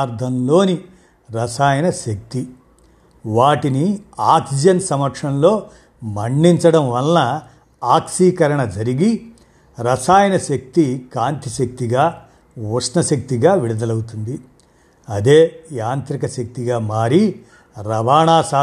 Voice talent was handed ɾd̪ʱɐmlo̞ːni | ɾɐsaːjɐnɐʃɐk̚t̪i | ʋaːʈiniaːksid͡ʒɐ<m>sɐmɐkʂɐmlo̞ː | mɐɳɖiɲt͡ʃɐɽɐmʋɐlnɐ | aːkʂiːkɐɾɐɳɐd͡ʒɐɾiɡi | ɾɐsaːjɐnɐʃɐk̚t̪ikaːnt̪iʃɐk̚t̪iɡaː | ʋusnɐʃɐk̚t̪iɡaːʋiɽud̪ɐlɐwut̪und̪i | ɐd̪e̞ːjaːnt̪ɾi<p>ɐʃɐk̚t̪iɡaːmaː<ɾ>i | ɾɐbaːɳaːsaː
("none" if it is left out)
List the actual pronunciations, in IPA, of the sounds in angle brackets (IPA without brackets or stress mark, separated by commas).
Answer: n, k, ɾ